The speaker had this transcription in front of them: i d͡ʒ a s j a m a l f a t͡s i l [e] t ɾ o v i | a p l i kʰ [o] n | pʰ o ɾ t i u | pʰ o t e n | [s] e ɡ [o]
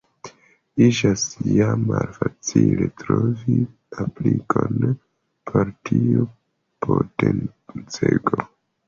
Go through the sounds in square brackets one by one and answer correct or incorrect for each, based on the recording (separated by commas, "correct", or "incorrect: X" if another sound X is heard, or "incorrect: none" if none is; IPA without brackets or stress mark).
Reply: correct, correct, incorrect: t͡s, correct